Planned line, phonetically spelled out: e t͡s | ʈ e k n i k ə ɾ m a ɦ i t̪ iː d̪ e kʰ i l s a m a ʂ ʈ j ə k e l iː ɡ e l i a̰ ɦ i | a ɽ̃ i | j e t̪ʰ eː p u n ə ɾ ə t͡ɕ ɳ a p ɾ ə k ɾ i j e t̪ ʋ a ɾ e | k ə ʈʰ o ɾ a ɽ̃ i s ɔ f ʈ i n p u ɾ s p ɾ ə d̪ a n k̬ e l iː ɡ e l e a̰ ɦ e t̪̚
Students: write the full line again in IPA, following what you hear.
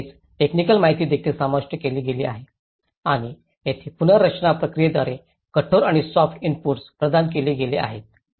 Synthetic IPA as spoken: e t͡s | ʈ e k n i k ə l m a ɦ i t̪ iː d̪ e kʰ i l s a m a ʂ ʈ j ə k e l iː ɡ e l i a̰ ɦ e | a ɽ̃ i | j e t̪ʰ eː p u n ə ɾ ə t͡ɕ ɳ a p ɾ ə k ɾ i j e d̪ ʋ a ɾ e | k ə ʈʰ o ɾ a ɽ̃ i s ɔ f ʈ i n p u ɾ s p ɾ ə d̪ a n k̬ e l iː ɡ e l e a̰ ɦ e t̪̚